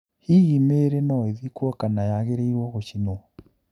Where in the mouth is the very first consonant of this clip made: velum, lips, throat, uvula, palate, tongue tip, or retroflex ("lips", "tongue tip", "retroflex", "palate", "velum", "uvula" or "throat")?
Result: throat